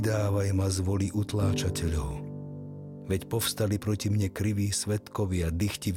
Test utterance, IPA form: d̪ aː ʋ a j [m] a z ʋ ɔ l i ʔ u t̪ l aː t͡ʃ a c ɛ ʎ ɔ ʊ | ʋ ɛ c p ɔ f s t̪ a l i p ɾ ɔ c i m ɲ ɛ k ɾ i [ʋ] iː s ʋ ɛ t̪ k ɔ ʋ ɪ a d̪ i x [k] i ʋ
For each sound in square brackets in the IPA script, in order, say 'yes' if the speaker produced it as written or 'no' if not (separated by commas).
yes, yes, no